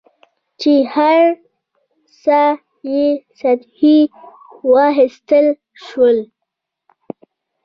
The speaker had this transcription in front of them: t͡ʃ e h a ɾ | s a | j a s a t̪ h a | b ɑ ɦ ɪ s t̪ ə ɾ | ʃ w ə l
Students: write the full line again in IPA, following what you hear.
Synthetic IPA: t͡ʃ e h a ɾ | s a | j e s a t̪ h i | w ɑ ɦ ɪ s t̪ ə l | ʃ w ə l